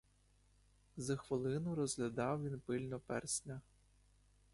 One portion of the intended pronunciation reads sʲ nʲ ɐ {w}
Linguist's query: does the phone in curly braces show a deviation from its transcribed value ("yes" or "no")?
yes